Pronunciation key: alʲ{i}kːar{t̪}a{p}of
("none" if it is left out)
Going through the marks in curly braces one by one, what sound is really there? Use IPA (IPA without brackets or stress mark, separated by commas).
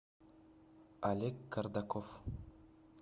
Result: e, d̪, k